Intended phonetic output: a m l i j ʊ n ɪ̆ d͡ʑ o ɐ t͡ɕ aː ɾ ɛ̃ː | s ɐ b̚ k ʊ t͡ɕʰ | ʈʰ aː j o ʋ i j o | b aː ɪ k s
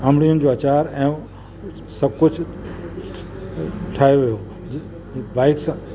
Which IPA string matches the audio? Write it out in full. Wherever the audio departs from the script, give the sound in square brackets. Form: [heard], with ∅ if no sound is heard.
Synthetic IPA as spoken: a m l i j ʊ n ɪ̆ d͡ʑ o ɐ t͡ɕ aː ɾ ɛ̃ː | s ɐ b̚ k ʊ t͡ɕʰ | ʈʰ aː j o ʋ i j o | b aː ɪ k s